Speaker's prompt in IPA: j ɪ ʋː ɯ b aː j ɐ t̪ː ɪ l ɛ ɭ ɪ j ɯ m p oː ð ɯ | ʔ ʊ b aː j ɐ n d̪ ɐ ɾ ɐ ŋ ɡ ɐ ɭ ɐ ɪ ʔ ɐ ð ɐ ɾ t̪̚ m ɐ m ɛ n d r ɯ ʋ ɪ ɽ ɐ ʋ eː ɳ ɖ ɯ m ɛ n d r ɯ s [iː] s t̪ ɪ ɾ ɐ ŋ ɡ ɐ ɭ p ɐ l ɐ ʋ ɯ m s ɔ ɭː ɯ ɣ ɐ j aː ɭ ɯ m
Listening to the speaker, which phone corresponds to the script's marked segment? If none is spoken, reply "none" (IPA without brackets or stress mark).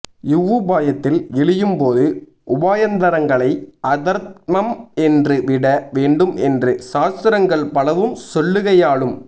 aː